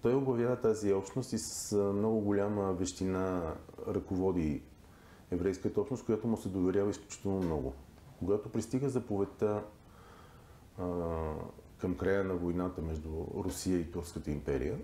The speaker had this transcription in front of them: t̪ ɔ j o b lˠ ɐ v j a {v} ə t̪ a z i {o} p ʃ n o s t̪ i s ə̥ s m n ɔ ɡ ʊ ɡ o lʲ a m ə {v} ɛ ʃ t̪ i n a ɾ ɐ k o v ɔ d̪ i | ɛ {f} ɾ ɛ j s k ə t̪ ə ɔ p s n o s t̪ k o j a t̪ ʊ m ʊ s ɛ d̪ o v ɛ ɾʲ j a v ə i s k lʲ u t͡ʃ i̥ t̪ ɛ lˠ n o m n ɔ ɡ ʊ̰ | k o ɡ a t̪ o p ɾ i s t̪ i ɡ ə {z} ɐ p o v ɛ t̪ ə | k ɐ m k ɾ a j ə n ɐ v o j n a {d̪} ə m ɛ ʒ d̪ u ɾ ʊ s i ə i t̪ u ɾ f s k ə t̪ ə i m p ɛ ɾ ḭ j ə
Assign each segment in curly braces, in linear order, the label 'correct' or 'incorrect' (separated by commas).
correct, incorrect, correct, incorrect, correct, incorrect